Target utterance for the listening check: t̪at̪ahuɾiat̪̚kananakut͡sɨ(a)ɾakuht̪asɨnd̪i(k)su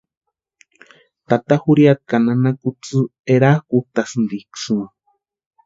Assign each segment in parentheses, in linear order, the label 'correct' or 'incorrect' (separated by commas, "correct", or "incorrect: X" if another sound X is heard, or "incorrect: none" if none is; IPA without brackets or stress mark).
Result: incorrect: e, correct